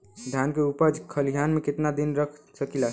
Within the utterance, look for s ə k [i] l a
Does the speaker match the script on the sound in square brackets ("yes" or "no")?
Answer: yes